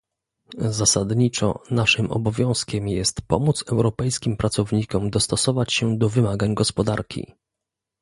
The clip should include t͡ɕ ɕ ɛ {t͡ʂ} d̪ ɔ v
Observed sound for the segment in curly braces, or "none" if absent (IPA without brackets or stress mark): none